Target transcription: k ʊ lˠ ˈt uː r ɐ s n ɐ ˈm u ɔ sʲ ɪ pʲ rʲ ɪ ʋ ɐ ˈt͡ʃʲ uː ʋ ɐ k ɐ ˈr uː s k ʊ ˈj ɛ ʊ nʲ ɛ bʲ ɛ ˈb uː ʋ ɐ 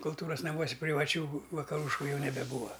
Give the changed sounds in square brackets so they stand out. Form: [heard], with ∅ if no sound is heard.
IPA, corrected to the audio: k ʊ lˠ ˈt uː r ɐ s n ɐ ˈm u ɔ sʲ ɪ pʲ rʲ ɪ ʋ ɐ ˈt͡ʃʲ uː ʋ ɐ k ɐ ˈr uː [ʃ] k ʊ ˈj ɛ ʊ nʲ ɛ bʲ ɛ ˈb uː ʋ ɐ